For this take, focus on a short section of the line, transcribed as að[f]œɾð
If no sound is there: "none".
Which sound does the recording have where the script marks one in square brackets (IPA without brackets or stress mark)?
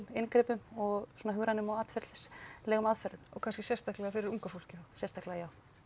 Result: f